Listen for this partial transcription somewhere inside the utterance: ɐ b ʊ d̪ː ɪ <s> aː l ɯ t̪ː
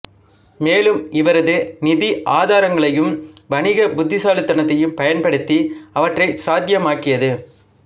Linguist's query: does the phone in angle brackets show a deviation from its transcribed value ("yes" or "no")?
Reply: no